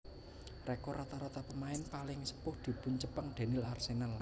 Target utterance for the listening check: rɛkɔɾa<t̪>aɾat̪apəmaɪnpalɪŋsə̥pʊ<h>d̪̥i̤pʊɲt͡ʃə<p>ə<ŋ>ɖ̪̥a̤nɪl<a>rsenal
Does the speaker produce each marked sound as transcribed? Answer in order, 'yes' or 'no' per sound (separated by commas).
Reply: yes, yes, yes, yes, yes